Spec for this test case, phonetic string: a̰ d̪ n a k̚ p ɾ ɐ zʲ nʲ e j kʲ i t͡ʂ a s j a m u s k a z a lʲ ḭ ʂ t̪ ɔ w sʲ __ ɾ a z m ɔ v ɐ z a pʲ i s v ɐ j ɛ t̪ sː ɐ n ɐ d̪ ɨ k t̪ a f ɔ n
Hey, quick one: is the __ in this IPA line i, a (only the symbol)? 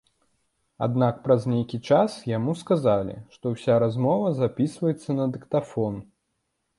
a